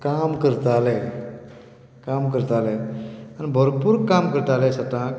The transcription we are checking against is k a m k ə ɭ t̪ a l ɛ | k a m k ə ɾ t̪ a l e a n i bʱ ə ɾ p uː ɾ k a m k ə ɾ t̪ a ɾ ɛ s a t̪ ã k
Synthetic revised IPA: k a m k ə ɾ t̪ a l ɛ | k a m k ə ɾ t̪ a l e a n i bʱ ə ɾ p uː ɾ k a m k ə ɾ t̪ a l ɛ s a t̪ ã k